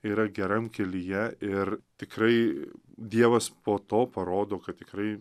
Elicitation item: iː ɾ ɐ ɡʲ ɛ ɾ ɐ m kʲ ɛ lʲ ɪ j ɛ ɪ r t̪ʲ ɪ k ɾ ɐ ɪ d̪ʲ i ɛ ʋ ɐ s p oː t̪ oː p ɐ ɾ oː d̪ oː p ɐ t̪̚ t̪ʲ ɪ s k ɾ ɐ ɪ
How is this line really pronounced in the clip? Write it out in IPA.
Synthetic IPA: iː ɾ ɐ ɡʲ ɛ ɾ ɐ m kʲ ɛ lʲ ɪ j ɛ ɪ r t̪ʲ ɪ k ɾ ɐ ɪ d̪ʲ i ɛ ʋ ɐ s p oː t̪ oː p ɐ ɾ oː d̪ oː k ɐ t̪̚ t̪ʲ ɪ k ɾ ɐ ɪ